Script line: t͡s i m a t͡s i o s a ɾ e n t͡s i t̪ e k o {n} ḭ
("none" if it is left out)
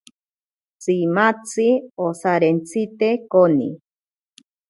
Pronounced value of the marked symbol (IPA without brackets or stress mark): n